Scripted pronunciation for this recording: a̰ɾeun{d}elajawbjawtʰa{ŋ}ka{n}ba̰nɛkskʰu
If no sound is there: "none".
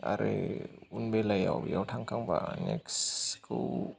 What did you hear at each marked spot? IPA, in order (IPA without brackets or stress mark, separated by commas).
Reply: b, ŋ, ŋ